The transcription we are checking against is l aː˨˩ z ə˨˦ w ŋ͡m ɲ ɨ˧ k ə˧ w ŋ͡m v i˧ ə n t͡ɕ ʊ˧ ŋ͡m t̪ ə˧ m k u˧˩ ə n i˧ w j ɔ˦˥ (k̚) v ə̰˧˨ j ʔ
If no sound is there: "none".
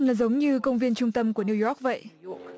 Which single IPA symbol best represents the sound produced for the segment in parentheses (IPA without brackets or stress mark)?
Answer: k̚